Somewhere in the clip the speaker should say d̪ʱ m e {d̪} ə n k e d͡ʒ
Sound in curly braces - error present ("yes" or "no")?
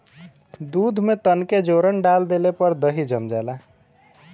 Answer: yes